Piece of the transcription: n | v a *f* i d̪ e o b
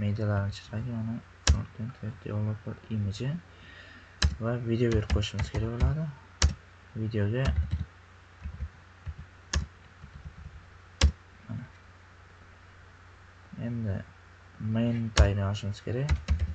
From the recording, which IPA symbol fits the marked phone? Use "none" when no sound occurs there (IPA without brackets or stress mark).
v